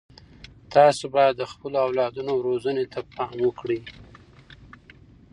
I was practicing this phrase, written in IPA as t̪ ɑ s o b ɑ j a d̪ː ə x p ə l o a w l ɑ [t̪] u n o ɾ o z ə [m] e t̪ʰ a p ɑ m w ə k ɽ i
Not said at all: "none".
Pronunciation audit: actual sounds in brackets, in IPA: d̪, n

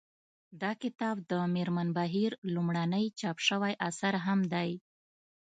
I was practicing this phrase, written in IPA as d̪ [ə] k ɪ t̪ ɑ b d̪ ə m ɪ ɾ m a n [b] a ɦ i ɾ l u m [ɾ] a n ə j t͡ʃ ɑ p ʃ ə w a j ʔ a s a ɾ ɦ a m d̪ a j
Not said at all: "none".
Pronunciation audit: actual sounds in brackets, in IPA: ɑ, b, ɽ

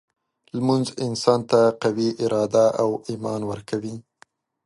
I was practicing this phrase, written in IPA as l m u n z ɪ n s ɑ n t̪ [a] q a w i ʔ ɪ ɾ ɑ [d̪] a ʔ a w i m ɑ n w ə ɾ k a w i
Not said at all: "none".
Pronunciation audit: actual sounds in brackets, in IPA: a, d̪

